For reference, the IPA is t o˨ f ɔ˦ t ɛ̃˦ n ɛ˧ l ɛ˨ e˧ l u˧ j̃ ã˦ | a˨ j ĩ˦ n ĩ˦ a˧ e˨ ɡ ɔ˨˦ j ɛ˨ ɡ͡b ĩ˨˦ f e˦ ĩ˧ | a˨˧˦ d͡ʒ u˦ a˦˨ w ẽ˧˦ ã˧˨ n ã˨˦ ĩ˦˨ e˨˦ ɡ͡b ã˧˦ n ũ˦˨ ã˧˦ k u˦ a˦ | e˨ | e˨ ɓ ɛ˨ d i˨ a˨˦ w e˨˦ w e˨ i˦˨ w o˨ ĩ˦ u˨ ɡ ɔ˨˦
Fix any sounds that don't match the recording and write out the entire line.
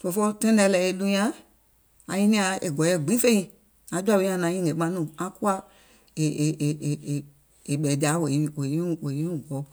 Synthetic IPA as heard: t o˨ f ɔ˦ t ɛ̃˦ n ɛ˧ l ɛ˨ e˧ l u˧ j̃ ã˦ | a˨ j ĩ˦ n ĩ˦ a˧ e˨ ɡ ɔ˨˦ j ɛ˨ ɡ͡b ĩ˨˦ f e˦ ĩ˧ | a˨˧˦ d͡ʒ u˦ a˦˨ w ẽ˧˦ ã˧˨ n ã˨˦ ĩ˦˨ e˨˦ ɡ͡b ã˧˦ n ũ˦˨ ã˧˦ k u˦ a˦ | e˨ | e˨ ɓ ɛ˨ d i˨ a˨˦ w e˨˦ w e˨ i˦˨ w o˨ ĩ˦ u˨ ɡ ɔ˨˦